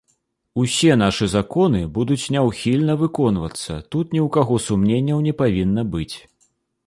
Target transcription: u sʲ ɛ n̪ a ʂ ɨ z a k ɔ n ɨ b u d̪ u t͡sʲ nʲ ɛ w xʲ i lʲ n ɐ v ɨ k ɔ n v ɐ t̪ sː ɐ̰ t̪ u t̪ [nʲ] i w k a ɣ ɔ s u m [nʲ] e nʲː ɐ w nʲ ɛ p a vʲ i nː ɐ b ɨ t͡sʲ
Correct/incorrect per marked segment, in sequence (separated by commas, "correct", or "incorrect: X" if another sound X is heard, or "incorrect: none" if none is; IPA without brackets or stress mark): correct, correct